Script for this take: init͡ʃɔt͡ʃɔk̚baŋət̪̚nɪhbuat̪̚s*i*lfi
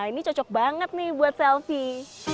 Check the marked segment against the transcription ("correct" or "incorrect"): incorrect